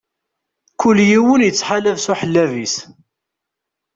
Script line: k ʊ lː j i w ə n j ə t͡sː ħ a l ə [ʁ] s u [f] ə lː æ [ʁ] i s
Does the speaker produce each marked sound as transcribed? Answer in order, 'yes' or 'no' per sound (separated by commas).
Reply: no, no, no